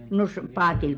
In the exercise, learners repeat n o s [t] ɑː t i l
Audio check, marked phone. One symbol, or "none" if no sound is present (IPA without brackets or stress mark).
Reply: p